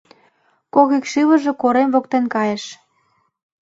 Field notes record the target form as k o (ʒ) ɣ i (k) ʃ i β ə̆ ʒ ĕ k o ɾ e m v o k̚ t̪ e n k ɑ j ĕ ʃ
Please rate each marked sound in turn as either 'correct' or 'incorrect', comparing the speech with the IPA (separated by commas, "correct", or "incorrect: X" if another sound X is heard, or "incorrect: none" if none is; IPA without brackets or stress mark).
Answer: incorrect: none, correct